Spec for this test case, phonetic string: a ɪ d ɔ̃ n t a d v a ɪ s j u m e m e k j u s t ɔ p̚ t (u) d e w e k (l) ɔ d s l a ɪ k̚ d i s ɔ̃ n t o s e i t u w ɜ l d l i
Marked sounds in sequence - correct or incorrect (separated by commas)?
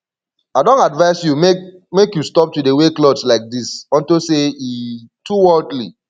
correct, correct